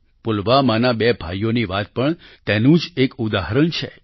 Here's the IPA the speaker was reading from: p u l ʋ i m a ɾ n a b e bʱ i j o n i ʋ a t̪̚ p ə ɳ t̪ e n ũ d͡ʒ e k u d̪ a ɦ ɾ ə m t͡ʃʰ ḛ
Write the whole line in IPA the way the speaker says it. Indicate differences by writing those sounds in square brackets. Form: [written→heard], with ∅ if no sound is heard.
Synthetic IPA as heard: p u l ʋ [i→a] m a [ɾ→∅] n a b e bʱ [i→a] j o n i ʋ a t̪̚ p ə ɳ t̪ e n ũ d͡ʒ e k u d̪ a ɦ ɾ ə [m→ɳ] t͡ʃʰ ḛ